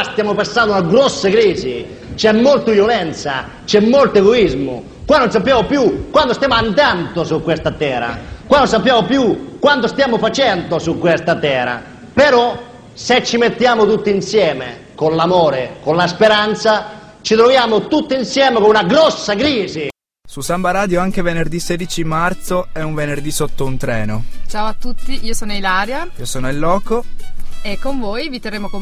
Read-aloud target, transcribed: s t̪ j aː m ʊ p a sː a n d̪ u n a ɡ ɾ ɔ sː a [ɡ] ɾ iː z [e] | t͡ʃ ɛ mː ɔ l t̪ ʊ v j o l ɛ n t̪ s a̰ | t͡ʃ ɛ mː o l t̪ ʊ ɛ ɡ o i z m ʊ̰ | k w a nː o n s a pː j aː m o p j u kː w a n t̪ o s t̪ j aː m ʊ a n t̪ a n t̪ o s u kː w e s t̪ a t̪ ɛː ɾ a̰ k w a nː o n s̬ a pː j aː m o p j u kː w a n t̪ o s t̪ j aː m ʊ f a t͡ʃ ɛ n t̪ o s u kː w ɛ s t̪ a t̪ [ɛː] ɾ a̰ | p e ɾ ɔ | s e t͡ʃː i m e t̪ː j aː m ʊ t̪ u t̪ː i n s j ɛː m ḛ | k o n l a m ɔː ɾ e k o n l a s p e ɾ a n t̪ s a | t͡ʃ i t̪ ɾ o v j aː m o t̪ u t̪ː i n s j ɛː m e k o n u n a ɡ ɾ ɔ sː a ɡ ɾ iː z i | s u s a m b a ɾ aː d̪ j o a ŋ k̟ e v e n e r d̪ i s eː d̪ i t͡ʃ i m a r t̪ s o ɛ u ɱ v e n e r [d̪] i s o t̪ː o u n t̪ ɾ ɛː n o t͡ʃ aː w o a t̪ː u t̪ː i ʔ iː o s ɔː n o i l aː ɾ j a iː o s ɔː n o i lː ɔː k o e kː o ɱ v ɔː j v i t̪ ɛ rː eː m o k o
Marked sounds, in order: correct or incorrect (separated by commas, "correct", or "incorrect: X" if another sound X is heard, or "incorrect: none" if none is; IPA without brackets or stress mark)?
incorrect: k, incorrect: i, correct, correct